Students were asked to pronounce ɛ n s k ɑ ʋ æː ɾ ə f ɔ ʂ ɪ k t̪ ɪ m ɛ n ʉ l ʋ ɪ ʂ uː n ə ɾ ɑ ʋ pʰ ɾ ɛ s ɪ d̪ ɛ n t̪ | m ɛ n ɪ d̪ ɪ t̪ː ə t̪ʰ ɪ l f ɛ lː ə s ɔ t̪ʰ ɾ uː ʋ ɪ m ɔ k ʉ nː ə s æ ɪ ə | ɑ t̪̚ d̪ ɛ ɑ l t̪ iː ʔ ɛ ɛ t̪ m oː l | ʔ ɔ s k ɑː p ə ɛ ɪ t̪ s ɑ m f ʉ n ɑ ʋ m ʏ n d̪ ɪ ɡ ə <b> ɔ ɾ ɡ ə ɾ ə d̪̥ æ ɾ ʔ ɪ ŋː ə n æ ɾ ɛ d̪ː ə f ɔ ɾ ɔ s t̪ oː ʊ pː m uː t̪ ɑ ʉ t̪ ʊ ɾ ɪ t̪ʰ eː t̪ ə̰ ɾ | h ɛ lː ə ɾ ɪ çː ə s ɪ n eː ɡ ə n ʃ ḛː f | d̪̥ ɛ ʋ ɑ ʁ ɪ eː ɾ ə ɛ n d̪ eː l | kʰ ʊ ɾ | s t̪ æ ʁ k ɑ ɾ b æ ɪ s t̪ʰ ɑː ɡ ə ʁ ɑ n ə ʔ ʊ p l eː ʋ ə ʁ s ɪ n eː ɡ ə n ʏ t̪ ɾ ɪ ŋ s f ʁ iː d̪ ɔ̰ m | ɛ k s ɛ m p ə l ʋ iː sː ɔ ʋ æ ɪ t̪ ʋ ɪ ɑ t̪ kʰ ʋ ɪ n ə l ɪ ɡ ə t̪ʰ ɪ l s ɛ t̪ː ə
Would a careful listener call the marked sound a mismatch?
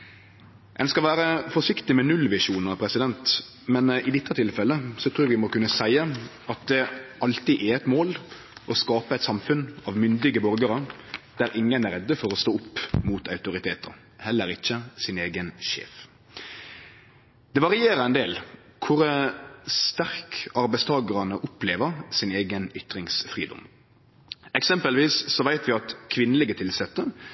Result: no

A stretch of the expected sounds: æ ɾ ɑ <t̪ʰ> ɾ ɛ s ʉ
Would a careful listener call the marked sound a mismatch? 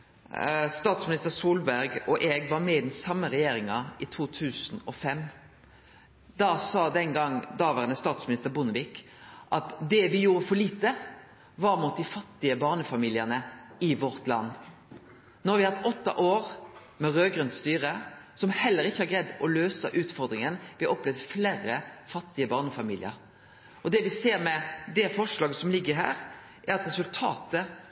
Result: yes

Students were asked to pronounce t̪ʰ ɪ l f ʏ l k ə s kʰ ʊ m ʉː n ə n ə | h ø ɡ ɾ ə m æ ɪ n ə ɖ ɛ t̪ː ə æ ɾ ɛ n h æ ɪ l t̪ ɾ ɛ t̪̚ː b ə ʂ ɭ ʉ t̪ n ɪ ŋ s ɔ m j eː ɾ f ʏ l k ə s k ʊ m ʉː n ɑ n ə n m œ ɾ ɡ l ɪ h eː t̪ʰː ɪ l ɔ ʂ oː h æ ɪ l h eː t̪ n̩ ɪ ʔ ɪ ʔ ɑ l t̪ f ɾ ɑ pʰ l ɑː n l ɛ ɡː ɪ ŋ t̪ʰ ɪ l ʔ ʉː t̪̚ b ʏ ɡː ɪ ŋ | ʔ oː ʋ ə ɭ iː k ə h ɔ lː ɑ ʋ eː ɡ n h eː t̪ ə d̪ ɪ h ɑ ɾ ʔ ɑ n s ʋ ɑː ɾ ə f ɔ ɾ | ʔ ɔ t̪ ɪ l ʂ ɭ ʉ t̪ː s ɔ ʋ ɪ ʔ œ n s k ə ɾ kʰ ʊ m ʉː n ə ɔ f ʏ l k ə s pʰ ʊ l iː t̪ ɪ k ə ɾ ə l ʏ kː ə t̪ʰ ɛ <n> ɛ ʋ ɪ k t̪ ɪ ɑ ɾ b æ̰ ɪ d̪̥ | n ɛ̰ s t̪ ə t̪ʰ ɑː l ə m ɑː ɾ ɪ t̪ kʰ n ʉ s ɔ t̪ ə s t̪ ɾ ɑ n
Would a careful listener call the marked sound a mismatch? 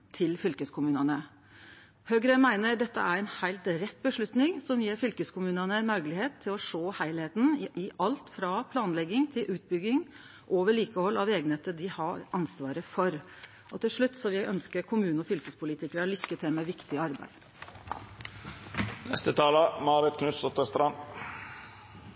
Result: yes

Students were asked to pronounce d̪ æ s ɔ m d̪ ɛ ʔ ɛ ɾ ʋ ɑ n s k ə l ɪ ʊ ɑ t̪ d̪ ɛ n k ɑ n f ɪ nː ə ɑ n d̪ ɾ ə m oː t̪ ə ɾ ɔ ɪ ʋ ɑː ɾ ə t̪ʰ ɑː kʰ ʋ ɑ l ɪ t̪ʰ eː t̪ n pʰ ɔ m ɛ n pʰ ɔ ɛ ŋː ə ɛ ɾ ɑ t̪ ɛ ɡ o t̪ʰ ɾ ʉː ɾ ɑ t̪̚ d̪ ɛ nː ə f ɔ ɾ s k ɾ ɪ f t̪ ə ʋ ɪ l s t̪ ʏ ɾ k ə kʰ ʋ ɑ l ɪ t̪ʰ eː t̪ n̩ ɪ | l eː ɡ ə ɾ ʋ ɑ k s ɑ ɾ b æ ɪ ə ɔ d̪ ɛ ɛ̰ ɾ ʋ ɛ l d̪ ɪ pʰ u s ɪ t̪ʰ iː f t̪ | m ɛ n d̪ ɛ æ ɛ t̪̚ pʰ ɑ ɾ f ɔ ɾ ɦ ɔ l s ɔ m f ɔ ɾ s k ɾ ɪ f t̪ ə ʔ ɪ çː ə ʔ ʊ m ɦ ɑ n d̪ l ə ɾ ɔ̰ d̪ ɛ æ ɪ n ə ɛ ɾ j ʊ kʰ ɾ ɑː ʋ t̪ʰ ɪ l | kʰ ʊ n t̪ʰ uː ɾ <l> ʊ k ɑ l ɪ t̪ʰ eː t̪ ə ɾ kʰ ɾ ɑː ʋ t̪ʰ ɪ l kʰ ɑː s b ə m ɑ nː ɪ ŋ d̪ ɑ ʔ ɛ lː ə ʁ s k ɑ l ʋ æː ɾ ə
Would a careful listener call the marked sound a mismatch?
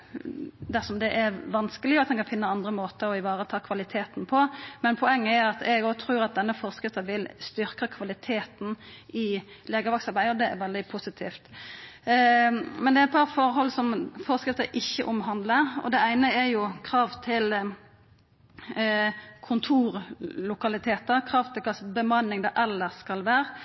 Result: no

